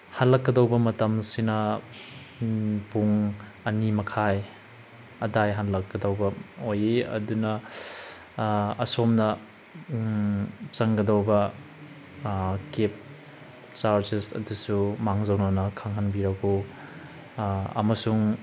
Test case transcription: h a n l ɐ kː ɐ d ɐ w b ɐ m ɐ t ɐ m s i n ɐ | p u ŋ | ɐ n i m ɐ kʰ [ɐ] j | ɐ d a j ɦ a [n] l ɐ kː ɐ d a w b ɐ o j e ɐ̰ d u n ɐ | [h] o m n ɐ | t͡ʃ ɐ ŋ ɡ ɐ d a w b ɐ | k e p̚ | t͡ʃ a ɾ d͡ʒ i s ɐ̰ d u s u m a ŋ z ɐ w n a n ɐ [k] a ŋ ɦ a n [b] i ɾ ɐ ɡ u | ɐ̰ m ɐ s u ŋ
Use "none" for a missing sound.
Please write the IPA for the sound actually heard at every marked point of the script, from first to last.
a, n, s, kʰ, b

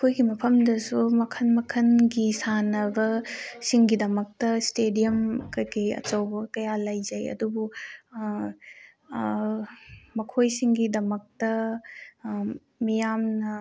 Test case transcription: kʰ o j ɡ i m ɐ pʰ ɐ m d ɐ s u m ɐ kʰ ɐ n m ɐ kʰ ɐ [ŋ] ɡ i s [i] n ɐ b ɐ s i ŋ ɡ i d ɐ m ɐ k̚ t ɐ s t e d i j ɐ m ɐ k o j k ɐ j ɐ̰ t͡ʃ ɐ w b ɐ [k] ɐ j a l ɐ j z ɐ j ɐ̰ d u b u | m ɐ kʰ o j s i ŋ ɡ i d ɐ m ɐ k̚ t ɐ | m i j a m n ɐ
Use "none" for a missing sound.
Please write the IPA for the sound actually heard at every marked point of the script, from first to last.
n, a, k

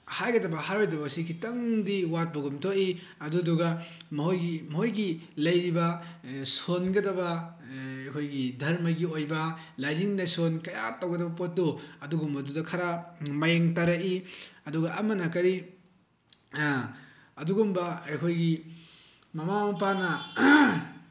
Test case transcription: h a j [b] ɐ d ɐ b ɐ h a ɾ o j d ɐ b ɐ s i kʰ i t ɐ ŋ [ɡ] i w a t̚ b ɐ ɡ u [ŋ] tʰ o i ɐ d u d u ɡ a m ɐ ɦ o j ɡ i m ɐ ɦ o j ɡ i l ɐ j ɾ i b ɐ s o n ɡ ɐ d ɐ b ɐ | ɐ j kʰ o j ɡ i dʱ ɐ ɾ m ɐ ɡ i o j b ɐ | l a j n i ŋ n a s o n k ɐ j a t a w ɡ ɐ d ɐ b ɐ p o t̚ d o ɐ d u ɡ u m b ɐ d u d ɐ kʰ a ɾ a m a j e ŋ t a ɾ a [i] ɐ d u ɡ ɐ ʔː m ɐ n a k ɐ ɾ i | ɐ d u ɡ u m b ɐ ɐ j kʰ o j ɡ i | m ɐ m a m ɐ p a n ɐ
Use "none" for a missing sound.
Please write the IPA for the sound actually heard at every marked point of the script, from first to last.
ɡ, d, m, i

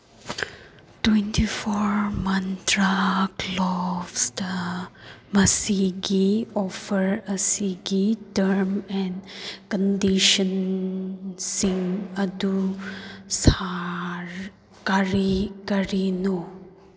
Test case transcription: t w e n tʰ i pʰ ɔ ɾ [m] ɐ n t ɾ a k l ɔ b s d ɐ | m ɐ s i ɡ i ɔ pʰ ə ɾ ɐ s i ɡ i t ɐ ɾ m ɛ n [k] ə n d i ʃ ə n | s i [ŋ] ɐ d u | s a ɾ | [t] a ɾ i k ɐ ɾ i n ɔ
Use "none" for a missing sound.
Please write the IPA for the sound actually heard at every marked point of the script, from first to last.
m, k, ŋ, k

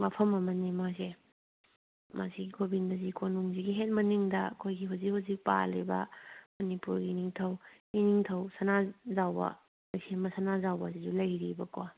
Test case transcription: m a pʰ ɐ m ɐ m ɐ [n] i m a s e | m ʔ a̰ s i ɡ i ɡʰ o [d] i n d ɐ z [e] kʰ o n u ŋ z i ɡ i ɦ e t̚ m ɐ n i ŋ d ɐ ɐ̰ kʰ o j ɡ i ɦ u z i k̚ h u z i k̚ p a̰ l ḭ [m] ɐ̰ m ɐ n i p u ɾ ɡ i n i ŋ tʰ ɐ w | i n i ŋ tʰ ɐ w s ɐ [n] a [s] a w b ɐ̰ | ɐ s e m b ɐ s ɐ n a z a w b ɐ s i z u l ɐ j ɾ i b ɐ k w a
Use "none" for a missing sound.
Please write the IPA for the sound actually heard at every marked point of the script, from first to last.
n, b, i, b, n, z

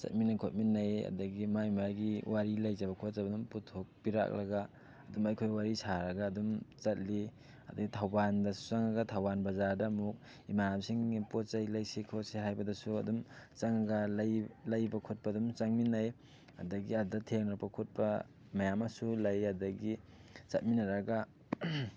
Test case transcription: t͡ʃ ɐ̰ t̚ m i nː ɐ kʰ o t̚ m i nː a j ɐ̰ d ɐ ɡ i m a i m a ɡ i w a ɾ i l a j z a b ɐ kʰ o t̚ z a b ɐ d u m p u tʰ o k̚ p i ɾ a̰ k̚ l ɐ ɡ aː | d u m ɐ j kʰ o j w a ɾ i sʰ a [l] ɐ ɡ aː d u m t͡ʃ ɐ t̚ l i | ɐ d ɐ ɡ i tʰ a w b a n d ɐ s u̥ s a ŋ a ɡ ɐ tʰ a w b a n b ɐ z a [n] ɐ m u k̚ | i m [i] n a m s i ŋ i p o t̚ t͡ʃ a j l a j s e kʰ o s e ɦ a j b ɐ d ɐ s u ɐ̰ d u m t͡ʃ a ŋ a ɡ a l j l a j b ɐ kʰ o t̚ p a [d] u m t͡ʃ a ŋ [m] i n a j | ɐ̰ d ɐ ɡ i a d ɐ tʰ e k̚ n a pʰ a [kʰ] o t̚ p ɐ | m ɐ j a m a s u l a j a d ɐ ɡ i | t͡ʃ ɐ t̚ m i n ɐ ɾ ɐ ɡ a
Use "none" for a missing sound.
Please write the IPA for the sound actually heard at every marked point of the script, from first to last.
ɾ, d, a, d, m, kʰ

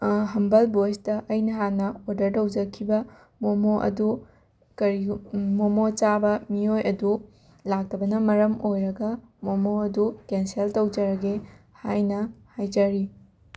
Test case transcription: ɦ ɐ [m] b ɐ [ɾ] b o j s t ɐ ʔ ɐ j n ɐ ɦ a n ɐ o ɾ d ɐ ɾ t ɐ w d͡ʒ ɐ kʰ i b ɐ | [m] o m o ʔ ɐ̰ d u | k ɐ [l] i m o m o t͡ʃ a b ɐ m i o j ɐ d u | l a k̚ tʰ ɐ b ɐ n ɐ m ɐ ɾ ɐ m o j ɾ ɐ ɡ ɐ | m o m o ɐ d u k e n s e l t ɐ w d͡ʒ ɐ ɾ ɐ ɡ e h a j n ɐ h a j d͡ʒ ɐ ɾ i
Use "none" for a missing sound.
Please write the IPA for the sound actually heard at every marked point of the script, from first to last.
m, l, m, ɾ

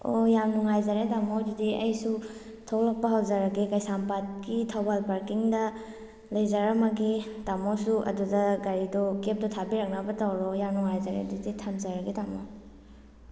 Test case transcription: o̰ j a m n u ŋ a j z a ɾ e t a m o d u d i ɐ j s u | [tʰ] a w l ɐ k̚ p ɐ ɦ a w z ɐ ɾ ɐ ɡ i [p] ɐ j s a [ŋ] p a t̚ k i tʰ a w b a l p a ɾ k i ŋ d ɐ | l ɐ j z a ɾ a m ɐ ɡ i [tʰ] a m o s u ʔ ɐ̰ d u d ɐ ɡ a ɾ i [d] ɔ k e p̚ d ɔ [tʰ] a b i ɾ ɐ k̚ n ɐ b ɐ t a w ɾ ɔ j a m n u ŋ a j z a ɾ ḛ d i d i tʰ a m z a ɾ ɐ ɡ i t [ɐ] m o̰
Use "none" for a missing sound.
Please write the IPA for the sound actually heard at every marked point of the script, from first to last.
tʰ, k, m, t, d, tʰ, a

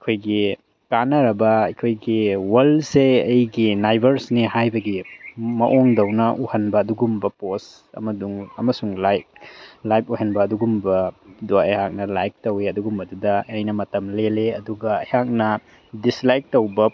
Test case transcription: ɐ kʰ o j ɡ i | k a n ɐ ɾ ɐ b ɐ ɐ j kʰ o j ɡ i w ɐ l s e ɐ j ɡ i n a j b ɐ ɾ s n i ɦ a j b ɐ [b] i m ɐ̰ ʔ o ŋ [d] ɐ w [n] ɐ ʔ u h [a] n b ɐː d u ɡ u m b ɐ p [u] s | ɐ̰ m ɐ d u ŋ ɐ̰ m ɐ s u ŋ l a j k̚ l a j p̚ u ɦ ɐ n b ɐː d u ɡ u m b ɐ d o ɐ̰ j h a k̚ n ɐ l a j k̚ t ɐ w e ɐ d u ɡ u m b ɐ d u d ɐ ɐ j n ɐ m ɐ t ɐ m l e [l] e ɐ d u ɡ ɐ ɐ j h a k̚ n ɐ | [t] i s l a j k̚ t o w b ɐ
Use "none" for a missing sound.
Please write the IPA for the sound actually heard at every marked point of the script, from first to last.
ɡ, d, n, ɐ, o, l, d

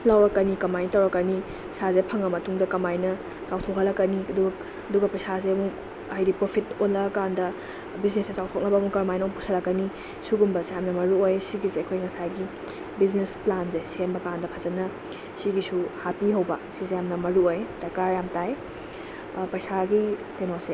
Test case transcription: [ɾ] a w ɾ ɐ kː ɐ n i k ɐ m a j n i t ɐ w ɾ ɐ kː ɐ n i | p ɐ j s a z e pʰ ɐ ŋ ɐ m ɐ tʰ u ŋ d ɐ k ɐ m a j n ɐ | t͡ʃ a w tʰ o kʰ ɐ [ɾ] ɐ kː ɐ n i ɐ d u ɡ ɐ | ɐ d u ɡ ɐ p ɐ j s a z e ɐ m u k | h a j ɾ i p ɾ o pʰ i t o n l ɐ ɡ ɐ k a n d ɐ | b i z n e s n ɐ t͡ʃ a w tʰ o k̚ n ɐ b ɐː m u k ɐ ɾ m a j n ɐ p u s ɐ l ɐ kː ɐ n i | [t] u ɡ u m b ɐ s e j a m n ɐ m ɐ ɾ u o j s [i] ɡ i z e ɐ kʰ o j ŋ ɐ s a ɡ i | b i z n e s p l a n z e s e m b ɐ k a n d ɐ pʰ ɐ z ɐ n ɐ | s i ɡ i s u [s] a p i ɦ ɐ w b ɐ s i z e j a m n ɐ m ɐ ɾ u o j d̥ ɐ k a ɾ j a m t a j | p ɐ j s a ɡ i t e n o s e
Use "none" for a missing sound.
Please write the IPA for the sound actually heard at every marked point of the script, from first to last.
l, l, s, i, h

